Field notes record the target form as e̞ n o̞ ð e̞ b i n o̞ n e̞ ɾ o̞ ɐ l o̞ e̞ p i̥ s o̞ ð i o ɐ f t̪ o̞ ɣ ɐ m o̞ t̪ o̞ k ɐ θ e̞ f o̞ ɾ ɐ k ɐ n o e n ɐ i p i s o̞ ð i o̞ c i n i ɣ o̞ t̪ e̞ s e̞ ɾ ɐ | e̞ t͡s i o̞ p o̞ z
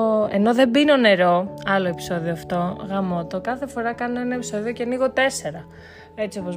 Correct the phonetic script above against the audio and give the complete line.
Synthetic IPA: e̞ n o̞ ð e̞ b i n o̞ n e̞ ɾ o̞ ɐ l o̞ e̞ p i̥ s o̞ ð i o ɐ f t̪ o̞ ɣ ɐ m o̞ t̪ o̞ k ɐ θ e̞ f o̞ ɾ ɐ k ɐ n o e n ɐ e p i s o̞ ð i o̞ c e n i ɣ o̞ t̪ e̞ s e̞ ɾ ɐ | e̞ t͡s i o̞ p o̞ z